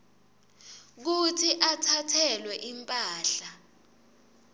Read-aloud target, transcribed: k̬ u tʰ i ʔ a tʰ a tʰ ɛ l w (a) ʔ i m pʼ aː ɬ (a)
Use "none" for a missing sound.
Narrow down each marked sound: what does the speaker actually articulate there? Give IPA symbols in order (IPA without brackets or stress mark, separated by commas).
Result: ɛ, a